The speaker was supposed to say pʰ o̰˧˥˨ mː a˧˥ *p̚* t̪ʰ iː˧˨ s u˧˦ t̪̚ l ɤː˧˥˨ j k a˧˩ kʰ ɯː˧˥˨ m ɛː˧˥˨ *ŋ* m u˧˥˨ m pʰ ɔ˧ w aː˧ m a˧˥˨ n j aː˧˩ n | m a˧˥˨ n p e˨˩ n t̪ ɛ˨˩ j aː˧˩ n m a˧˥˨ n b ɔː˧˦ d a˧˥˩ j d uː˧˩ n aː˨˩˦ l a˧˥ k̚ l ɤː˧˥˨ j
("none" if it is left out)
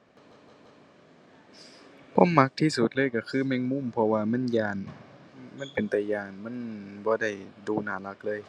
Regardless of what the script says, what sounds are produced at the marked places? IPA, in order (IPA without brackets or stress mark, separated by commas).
k̚, ŋ